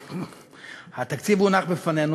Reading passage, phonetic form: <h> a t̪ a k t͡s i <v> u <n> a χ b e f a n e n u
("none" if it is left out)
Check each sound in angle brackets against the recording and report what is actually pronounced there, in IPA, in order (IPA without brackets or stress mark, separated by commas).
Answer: h, v, n